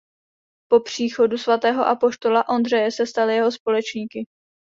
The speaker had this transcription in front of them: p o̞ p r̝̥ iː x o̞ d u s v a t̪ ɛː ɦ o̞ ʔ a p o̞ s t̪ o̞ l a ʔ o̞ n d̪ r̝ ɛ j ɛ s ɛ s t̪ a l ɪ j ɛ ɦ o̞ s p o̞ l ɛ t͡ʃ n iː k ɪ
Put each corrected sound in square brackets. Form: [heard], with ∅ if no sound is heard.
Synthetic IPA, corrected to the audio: p o̞ p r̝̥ iː x o̞ d u s v a t̪ ɛː ɦ o̞ ʔ a p o̞ [ʃ] t̪ o̞ l a ʔ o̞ n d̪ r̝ ɛ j ɛ s ɛ s t̪ a l ɪ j ɛ ɦ o̞ s p o̞ l ɛ t͡ʃ [ɲ] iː k ɪ